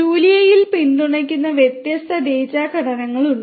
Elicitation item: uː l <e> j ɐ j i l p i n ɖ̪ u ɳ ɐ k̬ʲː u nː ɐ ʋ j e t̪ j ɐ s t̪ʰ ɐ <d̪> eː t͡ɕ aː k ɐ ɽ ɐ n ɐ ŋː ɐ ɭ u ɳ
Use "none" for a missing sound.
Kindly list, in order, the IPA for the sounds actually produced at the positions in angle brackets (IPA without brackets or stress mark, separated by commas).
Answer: i, d̪